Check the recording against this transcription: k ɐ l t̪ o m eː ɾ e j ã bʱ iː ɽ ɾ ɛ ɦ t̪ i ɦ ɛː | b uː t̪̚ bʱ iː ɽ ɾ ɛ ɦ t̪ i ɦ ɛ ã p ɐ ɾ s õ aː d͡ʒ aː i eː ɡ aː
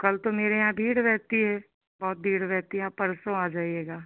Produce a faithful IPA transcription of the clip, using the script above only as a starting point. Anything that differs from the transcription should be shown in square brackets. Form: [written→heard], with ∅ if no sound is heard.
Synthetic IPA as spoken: k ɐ l t̪ o m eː ɾ e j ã bʱ iː ɽ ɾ ɛ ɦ t̪ i ɦ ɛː | b [uː→ɔː] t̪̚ bʱ iː ɽ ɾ ɛ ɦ t̪ i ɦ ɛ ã p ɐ ɾ s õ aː d͡ʒ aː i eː ɡ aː